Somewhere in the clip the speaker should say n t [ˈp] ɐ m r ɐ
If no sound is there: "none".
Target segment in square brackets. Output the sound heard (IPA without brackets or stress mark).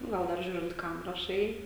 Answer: k